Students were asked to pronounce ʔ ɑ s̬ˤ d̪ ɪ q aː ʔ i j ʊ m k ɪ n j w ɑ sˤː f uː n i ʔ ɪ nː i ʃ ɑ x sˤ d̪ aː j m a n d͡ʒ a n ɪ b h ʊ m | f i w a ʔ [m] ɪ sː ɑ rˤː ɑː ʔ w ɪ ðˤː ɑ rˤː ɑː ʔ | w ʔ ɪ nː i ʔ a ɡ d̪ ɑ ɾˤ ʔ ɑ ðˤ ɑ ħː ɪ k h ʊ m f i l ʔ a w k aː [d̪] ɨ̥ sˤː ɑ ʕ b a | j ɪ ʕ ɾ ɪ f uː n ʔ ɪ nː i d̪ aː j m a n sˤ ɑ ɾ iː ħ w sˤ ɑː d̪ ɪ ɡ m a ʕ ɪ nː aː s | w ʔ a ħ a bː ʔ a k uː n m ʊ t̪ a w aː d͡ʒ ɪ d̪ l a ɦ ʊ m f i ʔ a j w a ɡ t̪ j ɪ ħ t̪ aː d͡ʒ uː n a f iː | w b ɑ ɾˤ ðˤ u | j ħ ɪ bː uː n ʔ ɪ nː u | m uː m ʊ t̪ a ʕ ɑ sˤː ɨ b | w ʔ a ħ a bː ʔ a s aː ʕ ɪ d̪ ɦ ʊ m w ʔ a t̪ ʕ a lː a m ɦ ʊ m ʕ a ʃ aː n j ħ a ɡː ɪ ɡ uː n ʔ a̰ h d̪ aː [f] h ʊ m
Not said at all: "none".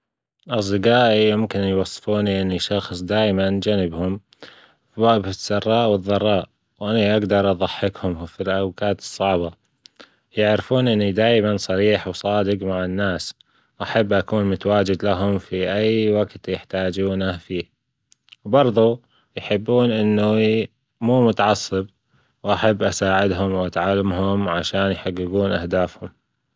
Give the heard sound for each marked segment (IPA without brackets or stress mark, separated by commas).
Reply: b, t̪, f